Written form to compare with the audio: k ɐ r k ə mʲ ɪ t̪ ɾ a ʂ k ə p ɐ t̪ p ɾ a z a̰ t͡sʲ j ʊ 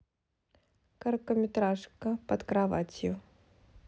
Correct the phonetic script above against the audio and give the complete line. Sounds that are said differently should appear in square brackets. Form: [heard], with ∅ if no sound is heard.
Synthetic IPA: k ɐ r k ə mʲ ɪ t̪ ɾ a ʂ k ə p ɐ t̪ [k] ɾ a [v] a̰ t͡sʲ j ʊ

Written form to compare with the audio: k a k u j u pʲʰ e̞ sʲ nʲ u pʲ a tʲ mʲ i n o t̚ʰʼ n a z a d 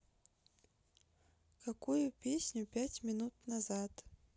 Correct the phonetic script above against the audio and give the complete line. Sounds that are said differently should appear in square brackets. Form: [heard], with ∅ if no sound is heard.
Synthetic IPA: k a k u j u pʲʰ e̞ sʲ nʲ u pʲ a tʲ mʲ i n [u] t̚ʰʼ n a z a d

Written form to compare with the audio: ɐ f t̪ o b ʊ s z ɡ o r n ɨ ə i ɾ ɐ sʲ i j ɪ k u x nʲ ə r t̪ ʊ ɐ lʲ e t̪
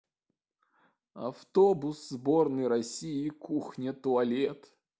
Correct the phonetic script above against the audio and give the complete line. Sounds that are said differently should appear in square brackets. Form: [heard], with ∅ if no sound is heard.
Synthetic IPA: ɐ f t̪ o b ʊ s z [b] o r n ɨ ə [j] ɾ ɐ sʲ i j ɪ k u x nʲ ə [∅] t̪ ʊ ɐ lʲ e t̪

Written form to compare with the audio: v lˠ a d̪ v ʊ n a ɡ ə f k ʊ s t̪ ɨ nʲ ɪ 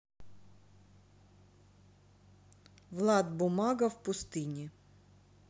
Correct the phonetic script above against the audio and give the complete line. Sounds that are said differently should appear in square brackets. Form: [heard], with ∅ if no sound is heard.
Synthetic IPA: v lˠ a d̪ [b] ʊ [m] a ɡ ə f [p] ʊ s t̪ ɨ nʲ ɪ

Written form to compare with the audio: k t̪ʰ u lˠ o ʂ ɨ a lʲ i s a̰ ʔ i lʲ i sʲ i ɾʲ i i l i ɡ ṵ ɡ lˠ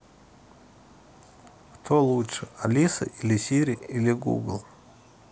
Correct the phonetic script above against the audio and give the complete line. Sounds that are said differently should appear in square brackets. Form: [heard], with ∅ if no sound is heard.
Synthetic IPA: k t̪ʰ [o] lˠ [u] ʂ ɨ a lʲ i s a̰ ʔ i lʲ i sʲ i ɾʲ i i l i ɡ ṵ ɡ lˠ

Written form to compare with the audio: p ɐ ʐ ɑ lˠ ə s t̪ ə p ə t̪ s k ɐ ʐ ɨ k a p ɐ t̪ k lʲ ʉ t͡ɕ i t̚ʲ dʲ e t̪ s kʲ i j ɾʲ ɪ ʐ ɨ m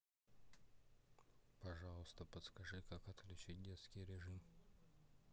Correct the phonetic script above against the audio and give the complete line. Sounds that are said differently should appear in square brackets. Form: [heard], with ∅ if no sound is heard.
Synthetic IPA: p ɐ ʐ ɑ lˠ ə s t̪ ə p ə t̪ s k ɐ ʐ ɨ k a [k] ɐ t̪ k lʲ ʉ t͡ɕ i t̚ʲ dʲ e t̪ s kʲ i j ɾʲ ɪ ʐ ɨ m

